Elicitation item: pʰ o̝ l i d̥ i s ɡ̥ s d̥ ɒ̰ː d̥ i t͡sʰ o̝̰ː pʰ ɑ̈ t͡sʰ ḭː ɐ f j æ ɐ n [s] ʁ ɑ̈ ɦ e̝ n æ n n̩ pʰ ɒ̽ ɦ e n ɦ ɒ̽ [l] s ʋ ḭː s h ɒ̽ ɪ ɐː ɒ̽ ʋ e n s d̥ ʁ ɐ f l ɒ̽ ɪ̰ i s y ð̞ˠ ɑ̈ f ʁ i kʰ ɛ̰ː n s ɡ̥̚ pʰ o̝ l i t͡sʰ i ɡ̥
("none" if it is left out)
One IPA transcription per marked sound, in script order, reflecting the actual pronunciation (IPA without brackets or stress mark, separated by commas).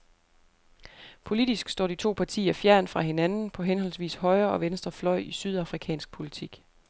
f, l